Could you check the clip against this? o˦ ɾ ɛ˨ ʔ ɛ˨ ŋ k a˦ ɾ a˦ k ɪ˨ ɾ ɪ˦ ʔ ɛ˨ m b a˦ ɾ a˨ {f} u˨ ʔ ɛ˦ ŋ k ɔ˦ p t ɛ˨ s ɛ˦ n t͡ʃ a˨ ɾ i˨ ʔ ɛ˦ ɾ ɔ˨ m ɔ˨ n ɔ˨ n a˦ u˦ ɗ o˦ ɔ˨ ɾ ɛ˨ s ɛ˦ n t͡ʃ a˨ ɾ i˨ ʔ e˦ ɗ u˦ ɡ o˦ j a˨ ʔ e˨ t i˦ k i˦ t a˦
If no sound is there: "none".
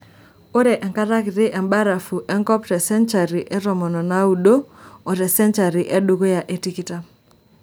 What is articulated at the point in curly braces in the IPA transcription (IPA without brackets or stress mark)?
f